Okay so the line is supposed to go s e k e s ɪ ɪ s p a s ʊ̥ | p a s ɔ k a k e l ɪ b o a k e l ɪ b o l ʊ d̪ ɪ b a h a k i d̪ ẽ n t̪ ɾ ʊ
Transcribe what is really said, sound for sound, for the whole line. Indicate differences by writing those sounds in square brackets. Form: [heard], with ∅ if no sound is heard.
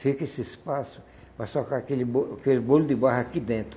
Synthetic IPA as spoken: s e k e s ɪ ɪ s p a s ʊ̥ | p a s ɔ k a k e l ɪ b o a k e l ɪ b o l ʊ d̪ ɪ b a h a k i d̪ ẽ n t̪ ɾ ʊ

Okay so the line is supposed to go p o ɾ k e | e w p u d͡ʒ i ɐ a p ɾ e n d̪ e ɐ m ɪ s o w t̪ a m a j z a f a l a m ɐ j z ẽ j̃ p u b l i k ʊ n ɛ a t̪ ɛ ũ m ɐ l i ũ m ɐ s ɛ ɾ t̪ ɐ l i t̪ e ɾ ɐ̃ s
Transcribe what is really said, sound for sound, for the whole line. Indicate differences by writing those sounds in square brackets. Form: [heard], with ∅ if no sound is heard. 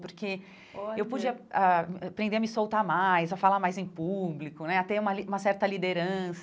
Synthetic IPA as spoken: p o ɾ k e | e w p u d͡ʒ i ɐ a p ɾ [ẽ] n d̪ e ɐ m ɪ s o w t̪ a m a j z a f a l a m [a] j z ẽ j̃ p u b l i k ʊ n ɛ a t̪ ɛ ũ m ɐ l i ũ m ɐ s ɛ ɾ t̪ ɐ l i [d̪] e ɾ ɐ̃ s

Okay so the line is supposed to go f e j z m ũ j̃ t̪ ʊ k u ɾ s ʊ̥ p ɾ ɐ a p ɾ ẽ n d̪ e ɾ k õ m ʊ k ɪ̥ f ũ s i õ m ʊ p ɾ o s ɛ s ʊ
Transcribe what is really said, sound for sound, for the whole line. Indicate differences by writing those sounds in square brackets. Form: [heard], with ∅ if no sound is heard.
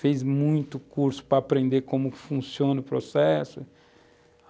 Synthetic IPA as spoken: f e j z m ũ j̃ t̪ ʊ k u ɾ s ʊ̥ p ɾ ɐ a p ɾ ẽ n d̪ e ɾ k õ m ʊ k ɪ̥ f ũ s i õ [n] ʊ p ɾ o s ɛ s ʊ

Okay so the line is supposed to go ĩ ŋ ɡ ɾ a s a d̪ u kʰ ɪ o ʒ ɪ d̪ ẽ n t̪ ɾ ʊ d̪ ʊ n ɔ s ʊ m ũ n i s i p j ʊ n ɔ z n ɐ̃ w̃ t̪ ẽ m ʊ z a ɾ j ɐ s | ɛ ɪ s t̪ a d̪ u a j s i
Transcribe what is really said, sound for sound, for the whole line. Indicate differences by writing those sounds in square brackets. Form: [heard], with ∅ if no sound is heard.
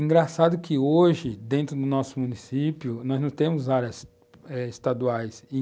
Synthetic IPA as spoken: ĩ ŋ ɡ ɾ a s a d̪ [ʊ] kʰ ɪ o ʒ ɪ d̪ ẽ n t̪ ɾ ʊ d̪ ʊ n ɔ s ʊ m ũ n i s i p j ʊ n ɔ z n ɐ̃ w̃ t̪ ẽ m ʊ z a ɾ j ɐ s | ɛ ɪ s t̪ a d̪ u a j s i

